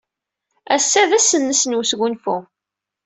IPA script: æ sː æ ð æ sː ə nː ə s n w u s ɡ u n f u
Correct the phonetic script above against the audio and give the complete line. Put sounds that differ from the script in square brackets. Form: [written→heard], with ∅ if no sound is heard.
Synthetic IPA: æ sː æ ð æ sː ə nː ə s n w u s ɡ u n f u